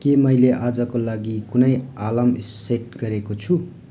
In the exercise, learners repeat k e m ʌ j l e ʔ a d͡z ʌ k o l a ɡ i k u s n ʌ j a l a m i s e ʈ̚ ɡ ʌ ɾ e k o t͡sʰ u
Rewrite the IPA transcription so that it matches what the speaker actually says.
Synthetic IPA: k e m ʌ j l e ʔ a d͡z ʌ k o l a ɡ i k u n ʌ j a l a m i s e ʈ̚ ɡ ʌ ɾ e k o t͡sʰ u